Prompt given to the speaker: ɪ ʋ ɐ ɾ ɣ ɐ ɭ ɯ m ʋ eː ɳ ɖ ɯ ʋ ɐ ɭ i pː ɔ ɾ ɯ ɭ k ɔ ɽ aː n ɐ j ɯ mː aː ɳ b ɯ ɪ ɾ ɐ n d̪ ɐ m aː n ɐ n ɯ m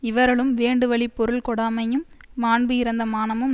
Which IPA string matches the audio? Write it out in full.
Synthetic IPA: ɪ ʋ ɐ ɾ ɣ ɐ ɭ ɯ m ʋ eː ɳ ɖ ɯ ʋ ɐ ɭ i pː ɔ ɾ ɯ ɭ k ɔ ɽ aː m ɐ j ɯ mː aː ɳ b ɯ ɪ ɾ ɐ n d̪ ɐ m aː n ɐ m ɯ m